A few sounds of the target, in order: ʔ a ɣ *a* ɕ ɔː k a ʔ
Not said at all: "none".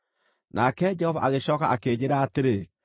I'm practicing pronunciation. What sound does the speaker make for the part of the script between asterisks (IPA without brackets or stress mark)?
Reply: e